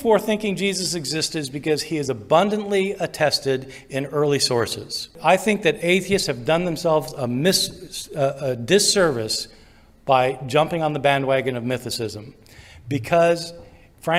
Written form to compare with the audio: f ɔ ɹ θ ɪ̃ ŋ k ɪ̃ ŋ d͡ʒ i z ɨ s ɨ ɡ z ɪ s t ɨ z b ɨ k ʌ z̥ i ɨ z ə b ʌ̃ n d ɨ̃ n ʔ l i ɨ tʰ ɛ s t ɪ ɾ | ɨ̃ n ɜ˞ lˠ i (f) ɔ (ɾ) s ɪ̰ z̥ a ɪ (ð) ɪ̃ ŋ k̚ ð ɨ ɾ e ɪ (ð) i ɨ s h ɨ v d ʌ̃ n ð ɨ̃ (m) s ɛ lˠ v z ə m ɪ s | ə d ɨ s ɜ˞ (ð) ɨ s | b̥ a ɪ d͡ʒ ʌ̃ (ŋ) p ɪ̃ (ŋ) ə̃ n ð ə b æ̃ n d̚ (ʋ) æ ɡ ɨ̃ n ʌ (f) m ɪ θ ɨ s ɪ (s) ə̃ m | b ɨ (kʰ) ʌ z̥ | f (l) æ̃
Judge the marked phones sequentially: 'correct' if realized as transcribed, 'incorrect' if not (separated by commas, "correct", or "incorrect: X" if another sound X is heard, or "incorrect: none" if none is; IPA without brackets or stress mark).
incorrect: s, incorrect: ɹ, incorrect: θ, incorrect: θ, correct, incorrect: v, incorrect: m, correct, incorrect: w, incorrect: v, incorrect: z, correct, incorrect: ɹ